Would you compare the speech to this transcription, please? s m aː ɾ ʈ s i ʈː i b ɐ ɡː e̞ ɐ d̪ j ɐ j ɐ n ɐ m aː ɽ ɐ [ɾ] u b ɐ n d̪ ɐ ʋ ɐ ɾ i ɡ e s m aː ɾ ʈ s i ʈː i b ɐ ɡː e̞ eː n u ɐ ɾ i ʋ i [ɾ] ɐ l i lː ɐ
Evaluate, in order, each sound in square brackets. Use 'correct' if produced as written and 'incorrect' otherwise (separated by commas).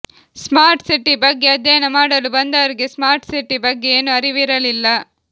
incorrect, correct